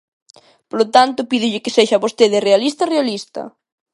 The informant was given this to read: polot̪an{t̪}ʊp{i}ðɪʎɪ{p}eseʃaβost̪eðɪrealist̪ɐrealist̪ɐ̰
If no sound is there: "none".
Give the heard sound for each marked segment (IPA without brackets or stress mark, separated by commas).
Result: t̪, i, k